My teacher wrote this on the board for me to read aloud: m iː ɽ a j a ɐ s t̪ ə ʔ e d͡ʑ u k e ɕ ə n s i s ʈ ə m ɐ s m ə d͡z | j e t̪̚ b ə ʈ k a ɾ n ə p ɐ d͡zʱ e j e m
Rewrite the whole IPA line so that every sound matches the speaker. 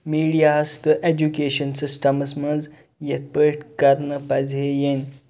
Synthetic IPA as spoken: m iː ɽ i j a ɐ s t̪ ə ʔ e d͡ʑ u k e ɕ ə n s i s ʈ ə m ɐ s m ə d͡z | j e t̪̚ p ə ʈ k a ɾ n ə p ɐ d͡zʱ e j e n